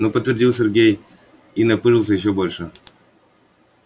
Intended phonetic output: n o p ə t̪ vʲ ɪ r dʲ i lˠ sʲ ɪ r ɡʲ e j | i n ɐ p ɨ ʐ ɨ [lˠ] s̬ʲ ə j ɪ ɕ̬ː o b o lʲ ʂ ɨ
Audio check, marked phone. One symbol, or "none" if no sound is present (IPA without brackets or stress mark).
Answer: lˠ